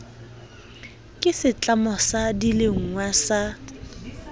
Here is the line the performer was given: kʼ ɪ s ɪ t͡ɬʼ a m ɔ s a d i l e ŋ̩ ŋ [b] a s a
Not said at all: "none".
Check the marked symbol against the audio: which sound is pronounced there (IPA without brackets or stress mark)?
w